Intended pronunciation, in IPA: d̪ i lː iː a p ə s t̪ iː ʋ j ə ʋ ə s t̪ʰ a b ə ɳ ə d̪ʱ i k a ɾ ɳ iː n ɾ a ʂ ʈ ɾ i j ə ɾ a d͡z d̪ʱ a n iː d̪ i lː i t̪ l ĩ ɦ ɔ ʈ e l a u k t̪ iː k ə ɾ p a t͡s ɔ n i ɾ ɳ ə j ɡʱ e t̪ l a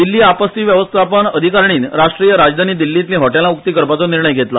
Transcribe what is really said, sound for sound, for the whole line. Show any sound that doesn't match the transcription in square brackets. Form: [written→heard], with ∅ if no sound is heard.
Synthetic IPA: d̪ i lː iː a p ə s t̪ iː ʋ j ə ʋ ə s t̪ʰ a [b→p] ə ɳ ə d̪ʱ i k a ɾ ɳ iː n ɾ a ʂ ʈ ɾ i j ə ɾ a d͡z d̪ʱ a n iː d̪ i lː i t̪ l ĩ ɦ ɔ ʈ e l a u k t̪ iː k ə ɾ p a t͡s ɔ n i ɾ ɳ ə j ɡʱ e t̪ l a